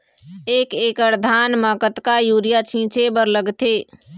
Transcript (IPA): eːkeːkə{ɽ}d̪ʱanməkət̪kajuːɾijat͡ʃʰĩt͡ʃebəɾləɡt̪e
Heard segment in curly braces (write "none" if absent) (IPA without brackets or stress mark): ɾ